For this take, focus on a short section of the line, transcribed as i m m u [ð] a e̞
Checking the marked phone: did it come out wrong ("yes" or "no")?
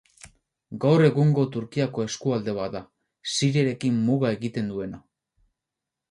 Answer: yes